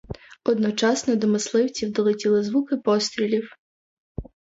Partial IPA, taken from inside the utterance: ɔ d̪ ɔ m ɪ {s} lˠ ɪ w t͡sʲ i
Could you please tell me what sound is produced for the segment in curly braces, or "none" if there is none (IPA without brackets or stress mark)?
s